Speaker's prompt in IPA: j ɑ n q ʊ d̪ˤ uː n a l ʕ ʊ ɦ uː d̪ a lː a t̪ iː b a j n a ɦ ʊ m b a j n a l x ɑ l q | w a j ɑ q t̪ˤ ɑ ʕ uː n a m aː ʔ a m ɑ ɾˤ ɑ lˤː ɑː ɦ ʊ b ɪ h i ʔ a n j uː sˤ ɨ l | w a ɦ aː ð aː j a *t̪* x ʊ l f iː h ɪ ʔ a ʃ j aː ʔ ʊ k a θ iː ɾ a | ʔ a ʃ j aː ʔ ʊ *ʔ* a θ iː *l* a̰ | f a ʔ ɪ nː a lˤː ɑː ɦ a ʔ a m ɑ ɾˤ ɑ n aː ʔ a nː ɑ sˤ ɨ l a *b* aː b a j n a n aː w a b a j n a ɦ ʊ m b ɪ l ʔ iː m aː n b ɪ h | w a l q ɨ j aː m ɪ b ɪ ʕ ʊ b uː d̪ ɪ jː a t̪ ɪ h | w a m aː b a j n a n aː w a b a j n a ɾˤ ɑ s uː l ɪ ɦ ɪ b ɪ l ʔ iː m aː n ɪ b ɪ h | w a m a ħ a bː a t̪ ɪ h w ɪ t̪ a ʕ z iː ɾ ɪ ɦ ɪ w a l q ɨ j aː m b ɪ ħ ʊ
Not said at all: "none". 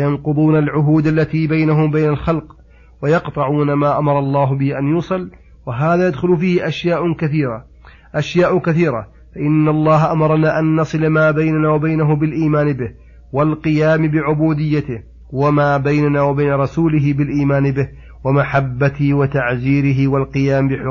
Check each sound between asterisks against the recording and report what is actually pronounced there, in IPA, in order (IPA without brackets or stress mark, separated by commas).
d̪, k, ɾ, m